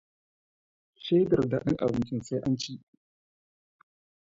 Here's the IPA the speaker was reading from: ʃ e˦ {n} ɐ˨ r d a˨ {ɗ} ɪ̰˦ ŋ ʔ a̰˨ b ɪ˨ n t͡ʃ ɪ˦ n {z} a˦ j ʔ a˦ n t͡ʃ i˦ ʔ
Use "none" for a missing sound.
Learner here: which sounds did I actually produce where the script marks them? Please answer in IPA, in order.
d, ɗ, s

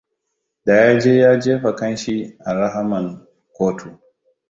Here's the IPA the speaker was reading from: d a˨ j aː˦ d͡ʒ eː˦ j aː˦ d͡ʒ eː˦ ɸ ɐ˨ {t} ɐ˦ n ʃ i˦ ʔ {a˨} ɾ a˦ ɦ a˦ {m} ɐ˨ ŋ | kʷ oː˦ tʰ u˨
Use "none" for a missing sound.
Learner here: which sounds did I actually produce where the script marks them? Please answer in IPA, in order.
k, a˨, m

